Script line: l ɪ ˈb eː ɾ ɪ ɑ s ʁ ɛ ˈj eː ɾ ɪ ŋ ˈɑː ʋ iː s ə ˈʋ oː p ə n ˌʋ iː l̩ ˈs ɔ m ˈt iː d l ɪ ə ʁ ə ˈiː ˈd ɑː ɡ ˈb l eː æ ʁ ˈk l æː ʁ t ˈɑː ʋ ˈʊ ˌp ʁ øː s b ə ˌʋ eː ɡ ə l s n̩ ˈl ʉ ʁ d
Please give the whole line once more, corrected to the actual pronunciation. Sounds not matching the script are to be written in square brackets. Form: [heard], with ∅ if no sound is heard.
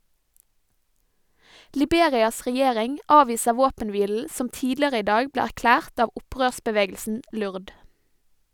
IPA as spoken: l ɪ ˈb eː ɾ ɪ ɑ s ʁ ɛ ˈj eː ɾ ɪ ŋ ˈɑː ʋ iː s ə ˈʋ oː p ə n ˌʋ iː l̩ ˈs ɔ m ˈt iː d l ɪ ə ʁ ə ˈiː ˈd ɑː ɡ ˈb l eː æ ʁ ˈk l æː ʁ t ˈɑː ʋ ˈʊ ˌp ʁ øː s b ə ˌʋ eː ɡ ə l s n̩ ˈl ʉ ʁ d